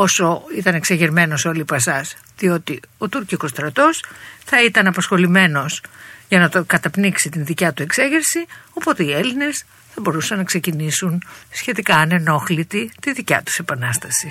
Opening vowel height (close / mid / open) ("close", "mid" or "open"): mid